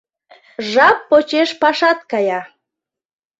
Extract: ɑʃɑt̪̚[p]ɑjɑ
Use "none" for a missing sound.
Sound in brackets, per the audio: k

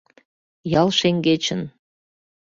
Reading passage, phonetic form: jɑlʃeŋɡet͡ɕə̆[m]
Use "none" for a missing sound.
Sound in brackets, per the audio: n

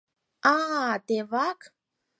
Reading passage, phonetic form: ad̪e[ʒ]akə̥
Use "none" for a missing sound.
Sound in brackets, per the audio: v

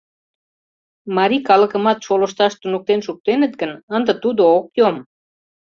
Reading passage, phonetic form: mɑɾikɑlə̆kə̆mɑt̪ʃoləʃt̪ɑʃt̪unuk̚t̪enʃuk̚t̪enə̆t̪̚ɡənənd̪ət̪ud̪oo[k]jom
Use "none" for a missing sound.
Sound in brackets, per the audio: k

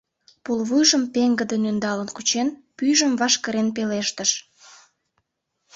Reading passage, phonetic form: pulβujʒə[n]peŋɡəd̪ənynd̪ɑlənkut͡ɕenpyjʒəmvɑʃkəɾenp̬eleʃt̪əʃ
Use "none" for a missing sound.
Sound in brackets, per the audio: m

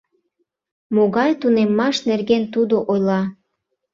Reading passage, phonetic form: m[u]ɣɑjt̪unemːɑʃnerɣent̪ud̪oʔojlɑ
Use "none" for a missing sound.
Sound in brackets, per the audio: o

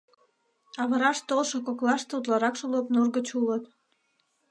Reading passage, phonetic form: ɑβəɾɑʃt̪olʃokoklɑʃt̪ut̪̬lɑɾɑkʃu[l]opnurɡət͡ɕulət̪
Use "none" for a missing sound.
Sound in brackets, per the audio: l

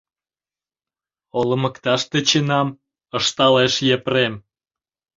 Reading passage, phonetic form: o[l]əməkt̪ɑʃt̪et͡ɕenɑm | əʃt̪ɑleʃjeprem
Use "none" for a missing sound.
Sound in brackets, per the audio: l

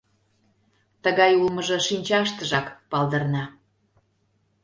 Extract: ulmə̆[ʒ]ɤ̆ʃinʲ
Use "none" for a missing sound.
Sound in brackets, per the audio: ʒ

